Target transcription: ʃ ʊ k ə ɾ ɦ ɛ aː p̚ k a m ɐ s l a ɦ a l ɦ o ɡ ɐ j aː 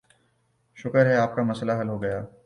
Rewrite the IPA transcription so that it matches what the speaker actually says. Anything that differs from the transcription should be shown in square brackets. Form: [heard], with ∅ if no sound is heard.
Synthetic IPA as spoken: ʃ ʊ k ə ɾ ɦ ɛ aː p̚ k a m ɐ s l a ɦ [ɐ] l ɦ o ɡ ɐ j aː